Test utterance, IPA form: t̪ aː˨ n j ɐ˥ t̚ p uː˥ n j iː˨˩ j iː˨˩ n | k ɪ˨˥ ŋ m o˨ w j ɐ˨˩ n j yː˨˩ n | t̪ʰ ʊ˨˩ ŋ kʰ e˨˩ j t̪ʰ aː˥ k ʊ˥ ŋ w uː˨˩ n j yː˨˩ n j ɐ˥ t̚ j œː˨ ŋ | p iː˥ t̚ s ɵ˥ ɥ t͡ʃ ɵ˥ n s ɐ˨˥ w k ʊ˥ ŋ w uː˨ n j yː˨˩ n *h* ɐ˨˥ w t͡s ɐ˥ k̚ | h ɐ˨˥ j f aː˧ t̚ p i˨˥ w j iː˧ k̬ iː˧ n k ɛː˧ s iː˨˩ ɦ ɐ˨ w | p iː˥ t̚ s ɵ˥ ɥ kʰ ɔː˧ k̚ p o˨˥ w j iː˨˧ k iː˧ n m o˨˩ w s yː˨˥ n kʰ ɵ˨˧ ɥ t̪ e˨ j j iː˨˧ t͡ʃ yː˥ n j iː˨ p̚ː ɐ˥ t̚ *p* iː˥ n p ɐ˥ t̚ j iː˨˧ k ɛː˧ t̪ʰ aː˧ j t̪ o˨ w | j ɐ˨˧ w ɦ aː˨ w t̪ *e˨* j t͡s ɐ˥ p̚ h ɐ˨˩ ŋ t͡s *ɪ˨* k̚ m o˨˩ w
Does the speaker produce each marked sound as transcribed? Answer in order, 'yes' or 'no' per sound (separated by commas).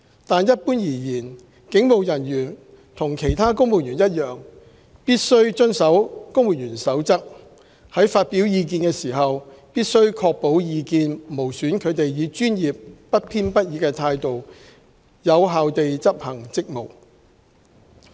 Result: no, no, yes, no